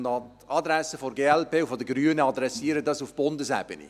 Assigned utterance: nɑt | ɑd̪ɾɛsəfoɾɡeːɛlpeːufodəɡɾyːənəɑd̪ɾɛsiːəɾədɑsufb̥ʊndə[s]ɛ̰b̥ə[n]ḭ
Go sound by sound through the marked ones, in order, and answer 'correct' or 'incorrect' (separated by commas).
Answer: correct, correct